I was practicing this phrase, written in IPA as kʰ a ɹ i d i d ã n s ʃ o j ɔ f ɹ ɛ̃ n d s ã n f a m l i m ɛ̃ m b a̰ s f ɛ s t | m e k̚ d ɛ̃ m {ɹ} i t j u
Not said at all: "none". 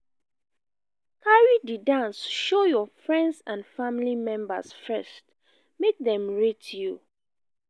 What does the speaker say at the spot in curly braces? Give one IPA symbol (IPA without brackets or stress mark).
ɹ